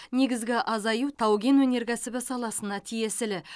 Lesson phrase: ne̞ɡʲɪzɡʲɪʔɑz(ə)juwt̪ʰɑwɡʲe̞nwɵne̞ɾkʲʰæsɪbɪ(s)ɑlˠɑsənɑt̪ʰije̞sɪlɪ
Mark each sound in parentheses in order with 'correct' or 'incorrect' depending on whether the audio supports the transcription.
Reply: incorrect: ɑ, correct

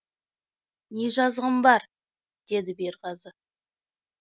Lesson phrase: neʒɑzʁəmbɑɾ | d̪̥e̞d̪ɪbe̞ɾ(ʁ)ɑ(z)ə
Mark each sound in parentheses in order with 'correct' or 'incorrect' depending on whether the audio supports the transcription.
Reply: correct, correct

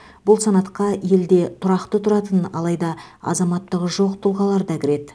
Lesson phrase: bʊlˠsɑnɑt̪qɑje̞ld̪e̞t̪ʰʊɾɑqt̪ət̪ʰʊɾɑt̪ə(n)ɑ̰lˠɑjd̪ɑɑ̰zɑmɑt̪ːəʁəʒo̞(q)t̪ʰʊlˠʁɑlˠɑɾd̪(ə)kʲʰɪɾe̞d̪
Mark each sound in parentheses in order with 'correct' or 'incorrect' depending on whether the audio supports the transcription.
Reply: correct, correct, incorrect: ɑ

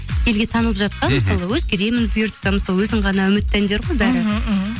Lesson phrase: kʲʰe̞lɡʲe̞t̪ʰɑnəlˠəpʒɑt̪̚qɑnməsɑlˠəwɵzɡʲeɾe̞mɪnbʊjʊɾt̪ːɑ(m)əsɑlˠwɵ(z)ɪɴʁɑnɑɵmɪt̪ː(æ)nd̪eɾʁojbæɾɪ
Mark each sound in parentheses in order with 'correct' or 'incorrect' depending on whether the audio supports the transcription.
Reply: correct, correct, correct

